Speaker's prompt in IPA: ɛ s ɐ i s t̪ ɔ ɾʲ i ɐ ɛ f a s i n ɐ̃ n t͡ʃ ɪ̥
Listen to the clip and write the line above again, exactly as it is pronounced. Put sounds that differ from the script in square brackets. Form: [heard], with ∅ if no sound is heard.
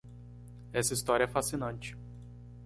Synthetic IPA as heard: ɛ s ɐ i s t̪ ɔ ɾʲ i ɐ ɛ f a s i n ɐ̃ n t͡ʃ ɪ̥